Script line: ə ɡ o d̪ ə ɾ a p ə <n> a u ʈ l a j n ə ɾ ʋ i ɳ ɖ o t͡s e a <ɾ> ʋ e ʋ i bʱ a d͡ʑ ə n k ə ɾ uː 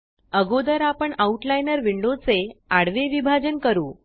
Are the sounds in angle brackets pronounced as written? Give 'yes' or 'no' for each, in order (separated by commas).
no, no